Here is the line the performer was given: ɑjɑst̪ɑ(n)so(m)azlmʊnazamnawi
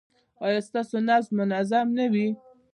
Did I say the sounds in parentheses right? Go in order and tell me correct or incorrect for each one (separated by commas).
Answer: incorrect, incorrect